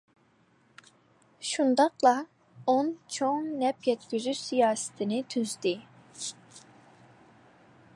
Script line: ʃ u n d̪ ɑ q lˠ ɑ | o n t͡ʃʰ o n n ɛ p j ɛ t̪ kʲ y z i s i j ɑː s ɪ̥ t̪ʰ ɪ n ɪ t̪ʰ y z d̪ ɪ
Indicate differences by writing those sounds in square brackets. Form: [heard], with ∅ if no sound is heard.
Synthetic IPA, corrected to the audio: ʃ u n d̪ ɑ q lˠ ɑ | o n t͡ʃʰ o [ŋ] n ɛ p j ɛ t̪ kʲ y z [y] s i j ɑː s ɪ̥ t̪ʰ ɪ n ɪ t̪ʰ y z d̪ ɪ

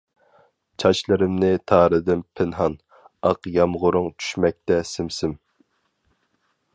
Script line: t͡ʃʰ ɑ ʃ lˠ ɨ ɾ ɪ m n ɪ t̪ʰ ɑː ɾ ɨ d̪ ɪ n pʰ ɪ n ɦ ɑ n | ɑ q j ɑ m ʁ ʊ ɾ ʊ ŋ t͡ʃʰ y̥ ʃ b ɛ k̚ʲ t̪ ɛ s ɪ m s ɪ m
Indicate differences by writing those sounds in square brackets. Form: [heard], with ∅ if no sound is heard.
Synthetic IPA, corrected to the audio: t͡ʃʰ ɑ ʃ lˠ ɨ ɾ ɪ m n ɪ t̪ʰ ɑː ɾ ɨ d̪ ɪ n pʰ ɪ n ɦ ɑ n | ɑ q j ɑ m ʁ ʊ ɾ ʊ ŋ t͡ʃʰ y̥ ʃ [m] ɛ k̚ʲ t̪ ɛ s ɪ m s ɪ m

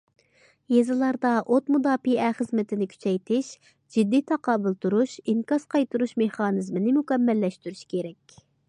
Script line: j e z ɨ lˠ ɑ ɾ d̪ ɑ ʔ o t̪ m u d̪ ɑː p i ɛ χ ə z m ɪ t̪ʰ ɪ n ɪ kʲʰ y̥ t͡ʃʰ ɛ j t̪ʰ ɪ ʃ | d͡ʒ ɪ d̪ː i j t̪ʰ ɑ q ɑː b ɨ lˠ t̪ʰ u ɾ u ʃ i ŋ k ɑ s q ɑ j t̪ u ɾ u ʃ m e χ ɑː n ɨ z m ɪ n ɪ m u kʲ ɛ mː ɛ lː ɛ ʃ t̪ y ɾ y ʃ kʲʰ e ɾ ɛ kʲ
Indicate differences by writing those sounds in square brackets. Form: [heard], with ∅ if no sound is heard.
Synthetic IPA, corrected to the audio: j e z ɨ lˠ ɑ ɾ d̪ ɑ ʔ o t̪ m u d̪ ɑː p i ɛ χ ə z m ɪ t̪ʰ ɪ n ɪ kʲʰ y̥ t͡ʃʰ ɛ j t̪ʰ ɪ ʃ | d͡ʒ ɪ d̪ː i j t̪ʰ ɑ q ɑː b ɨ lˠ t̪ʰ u ɾ u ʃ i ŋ k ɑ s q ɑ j t̪ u ɾ u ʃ m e χ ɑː n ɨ z m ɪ n ɪ m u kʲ ɛ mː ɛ lː ɛ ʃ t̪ y ɾ y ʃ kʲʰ e ɾ ɛ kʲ

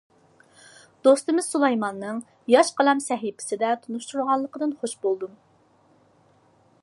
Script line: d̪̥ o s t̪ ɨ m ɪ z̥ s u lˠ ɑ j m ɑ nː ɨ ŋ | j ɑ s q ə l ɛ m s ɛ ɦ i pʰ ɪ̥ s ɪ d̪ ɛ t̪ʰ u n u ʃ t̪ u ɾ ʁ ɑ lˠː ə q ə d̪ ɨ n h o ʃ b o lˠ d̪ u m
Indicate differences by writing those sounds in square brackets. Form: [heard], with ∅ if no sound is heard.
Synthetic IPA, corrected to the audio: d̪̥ o s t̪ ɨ m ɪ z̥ s u lˠ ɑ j m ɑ nː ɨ ŋ | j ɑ [ʃ] q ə l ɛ m s ɛ ɦ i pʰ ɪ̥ s ɪ d̪ ɛ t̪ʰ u n u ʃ t̪ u ɾ ʁ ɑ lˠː ə q ə d̪ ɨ n [χ] o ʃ b o lˠ d̪ u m

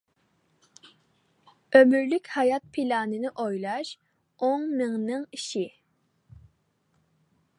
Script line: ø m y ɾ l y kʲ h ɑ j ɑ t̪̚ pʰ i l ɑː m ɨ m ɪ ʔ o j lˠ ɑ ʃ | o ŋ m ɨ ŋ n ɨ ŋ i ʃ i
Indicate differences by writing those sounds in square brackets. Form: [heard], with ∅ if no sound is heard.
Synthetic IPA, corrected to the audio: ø m y ɾ l y kʲ h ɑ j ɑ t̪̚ pʰ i l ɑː [n] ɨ [n] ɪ ʔ o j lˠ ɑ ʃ | o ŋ m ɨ ŋ n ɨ ŋ i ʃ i

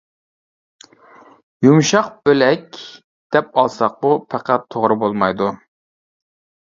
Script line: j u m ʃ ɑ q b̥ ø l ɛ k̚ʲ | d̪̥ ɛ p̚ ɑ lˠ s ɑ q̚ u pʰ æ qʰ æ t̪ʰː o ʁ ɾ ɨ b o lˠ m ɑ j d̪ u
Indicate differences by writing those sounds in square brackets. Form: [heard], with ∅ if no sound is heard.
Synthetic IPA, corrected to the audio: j u m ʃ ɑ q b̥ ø l ɛ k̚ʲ | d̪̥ ɛ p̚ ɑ lˠ s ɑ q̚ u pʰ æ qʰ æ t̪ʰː o ʁ ɾ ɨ b o lˠ m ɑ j d̪ u

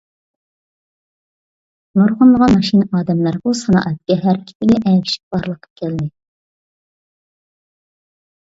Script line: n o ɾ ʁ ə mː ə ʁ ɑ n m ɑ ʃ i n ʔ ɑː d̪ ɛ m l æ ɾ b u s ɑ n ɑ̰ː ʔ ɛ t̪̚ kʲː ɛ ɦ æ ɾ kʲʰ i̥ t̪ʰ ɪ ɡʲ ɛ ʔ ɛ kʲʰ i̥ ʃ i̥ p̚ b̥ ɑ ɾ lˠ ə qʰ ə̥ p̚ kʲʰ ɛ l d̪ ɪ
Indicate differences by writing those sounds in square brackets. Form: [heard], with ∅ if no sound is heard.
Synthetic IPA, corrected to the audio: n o ɾ ʁ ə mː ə ʁ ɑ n m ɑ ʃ i n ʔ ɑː d̪ ɛ m l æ ɾ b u s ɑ n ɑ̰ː ʔ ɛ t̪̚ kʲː ɛ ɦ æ ɾ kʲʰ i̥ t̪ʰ ɪ ɡʲ ɛ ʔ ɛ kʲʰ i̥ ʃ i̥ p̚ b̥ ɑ ɾ lˠ ə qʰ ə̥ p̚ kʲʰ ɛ l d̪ ɪ

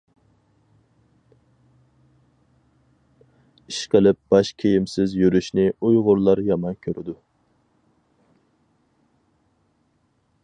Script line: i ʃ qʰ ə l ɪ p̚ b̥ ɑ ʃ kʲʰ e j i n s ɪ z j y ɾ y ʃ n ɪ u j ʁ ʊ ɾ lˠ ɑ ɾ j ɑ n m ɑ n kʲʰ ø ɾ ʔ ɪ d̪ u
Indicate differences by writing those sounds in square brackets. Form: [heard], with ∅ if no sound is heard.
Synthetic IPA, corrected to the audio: i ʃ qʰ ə l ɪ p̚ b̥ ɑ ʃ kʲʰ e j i [m] s ɪ z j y ɾ y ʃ n ɪ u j ʁ ʊ ɾ lˠ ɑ ɾ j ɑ [∅] m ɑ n kʲʰ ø ɾ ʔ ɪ d̪ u

